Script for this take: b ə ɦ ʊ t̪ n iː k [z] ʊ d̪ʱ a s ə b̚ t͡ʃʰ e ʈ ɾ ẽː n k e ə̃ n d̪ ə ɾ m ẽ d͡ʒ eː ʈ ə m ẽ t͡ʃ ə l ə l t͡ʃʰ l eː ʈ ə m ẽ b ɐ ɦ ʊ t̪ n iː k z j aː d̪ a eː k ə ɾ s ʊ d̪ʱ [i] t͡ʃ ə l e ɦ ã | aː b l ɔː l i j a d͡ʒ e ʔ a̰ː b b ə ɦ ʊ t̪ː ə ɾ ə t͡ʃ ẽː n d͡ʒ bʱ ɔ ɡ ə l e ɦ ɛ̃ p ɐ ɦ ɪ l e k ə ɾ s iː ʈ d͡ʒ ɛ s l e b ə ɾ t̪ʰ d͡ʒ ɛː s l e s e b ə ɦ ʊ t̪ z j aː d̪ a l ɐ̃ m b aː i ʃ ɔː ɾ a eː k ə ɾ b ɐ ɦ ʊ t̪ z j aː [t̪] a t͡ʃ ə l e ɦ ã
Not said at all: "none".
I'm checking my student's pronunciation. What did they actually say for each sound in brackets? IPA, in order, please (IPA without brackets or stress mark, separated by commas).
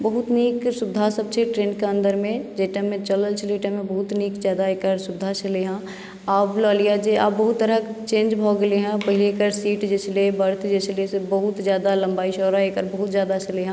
s, a, d̪